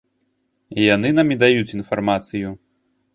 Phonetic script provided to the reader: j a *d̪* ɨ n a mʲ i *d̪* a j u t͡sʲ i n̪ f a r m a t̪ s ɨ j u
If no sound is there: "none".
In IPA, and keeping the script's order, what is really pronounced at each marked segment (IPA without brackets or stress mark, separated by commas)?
n̪, d̪